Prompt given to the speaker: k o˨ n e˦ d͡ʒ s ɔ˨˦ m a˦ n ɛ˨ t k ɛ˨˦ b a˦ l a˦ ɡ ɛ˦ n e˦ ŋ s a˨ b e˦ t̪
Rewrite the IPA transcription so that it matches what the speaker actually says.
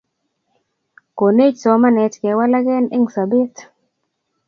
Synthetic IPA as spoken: k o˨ n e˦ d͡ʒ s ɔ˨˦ m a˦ n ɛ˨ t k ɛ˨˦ w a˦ l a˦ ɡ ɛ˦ n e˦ ŋ s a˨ b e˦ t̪

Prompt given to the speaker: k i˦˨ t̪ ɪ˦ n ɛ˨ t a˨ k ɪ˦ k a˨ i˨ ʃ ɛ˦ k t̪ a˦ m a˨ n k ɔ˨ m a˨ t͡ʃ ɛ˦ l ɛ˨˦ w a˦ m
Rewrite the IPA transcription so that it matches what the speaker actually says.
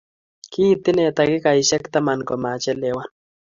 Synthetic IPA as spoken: k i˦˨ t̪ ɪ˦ n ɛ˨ t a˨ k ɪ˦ k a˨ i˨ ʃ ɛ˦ k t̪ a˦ m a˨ n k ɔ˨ m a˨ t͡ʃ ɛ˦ l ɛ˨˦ w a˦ n

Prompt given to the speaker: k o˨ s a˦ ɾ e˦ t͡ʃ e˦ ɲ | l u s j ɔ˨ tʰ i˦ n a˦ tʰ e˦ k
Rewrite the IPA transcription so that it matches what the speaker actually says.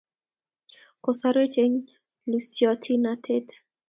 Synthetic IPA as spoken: k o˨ s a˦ ɾ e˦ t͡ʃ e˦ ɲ | l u s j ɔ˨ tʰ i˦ n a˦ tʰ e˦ t

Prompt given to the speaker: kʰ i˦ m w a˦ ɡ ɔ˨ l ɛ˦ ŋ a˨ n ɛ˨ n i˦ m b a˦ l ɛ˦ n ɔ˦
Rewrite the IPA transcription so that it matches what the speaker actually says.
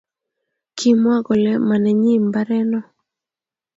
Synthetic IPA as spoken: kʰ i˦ m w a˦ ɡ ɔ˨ l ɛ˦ m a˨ n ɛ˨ ɲ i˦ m b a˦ ɾ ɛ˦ n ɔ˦

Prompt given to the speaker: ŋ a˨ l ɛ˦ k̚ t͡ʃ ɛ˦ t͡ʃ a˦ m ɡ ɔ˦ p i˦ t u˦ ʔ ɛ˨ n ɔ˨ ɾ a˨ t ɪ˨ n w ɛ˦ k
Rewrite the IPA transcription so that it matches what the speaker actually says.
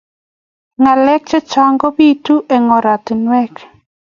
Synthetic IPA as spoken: ŋ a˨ l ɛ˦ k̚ t͡ʃ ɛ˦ t͡ʃ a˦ ŋ ɡ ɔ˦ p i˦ t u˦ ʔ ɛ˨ ŋ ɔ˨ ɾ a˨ t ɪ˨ n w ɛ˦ k

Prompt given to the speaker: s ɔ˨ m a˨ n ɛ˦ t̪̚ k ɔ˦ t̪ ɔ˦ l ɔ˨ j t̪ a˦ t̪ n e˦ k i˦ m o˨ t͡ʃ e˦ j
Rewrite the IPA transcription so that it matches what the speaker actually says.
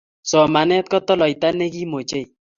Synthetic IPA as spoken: s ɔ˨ m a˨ n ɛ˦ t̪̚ k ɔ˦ t̪ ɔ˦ l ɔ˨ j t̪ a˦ n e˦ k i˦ m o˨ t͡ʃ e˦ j

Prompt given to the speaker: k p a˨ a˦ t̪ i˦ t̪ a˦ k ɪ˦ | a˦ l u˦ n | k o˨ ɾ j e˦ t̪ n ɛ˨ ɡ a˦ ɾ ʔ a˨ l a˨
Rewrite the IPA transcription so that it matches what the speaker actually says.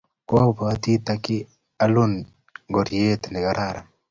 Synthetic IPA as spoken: k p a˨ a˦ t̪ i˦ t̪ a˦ k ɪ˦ | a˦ l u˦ n | ɡ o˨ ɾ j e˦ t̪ n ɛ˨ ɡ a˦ ɾ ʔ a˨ ɾ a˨

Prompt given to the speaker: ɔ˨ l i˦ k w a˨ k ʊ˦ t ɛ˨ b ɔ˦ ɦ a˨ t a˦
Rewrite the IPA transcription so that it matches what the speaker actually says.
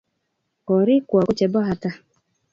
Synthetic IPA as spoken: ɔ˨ ɾ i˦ k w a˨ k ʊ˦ t͡ʃ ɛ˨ b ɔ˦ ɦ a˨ t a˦

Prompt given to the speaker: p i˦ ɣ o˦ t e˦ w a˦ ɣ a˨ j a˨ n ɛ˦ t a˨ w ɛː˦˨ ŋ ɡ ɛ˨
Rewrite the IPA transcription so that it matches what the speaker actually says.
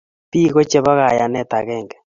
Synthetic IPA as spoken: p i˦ ɣ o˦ t͡ʃ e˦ β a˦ ɣ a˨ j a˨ n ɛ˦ t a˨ ɣ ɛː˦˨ ŋ ɡ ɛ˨

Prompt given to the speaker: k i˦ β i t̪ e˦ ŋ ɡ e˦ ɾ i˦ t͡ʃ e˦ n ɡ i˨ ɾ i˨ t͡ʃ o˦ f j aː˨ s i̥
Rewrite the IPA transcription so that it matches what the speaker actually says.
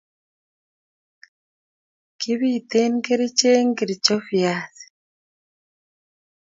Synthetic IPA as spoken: k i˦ β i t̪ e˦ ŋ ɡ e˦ ɾ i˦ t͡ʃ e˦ ŋ ɡ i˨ ɾ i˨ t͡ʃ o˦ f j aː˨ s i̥

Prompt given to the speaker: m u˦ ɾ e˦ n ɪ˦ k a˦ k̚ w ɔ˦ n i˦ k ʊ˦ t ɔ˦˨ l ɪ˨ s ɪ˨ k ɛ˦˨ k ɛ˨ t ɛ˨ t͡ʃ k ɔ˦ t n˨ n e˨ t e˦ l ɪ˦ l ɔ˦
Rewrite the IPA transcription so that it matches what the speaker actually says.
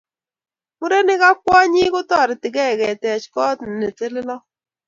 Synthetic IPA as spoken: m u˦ ɾ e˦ n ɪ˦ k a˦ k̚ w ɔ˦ ɲ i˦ k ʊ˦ t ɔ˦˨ ɾ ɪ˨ t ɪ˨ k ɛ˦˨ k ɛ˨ t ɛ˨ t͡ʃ k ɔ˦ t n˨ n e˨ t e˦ l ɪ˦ l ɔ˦

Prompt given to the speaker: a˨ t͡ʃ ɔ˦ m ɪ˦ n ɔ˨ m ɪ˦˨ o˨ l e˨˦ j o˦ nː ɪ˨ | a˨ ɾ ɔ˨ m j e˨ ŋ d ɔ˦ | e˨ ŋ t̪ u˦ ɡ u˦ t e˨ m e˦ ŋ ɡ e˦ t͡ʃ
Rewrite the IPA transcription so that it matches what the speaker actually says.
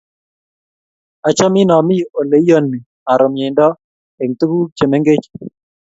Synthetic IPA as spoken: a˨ t͡ʃ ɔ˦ m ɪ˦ n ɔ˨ m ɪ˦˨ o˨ l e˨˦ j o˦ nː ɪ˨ | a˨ ɾ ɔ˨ m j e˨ n d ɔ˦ | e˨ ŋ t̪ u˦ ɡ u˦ t͡ʃ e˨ m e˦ ŋ ɡ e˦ t͡ʃ

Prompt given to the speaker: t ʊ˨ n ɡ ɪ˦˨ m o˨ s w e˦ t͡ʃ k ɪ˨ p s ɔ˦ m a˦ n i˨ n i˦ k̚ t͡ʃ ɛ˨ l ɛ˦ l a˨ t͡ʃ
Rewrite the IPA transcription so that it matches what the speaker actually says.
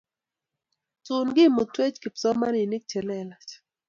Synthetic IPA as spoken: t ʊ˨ n ɡ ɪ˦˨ m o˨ t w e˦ t͡ʃ k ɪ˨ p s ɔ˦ m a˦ n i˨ n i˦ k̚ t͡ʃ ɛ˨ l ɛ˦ l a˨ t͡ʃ

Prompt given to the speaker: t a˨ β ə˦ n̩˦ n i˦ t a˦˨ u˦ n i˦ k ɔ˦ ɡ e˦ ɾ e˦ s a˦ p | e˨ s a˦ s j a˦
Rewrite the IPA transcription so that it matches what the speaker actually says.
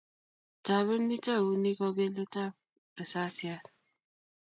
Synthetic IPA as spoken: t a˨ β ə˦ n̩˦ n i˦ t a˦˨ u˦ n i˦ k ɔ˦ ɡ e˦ l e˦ t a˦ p | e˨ s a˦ s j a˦

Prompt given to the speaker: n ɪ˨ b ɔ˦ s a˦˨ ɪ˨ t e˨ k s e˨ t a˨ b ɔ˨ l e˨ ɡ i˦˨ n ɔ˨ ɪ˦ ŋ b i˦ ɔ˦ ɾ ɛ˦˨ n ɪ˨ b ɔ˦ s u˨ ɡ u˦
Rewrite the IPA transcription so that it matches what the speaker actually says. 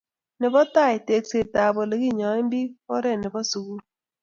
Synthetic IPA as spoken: n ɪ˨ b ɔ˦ t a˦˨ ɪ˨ t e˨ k s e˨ t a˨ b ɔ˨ l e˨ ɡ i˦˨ ɲ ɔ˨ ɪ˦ m b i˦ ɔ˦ ɾ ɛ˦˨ n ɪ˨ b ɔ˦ s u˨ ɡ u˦

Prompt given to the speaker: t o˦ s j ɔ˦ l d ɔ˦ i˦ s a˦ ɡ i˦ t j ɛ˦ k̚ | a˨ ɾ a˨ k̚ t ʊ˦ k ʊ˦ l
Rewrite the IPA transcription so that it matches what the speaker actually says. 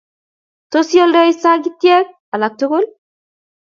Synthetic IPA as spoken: t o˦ s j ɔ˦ l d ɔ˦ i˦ s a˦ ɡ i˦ t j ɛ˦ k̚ | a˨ l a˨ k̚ t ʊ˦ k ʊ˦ l

